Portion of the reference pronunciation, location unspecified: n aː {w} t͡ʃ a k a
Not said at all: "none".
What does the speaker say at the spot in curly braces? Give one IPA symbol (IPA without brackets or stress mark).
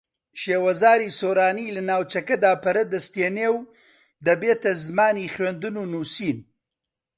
w